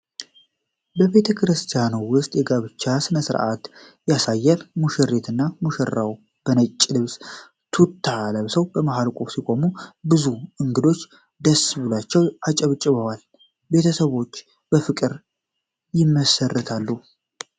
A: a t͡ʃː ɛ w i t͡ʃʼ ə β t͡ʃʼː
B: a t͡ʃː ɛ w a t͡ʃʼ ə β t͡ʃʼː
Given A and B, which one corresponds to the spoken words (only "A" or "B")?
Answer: B